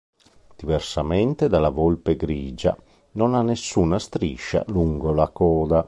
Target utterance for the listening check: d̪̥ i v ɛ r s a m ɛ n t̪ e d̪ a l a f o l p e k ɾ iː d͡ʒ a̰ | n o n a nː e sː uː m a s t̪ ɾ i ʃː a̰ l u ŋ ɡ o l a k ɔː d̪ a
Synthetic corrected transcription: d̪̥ i v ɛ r s a m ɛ n t̪ e d̪ a l a v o l p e ɡ ɾ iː d͡ʒ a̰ | n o n a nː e sː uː n a s t̪ ɾ i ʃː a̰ l u ŋ ɡ o l a k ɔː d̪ a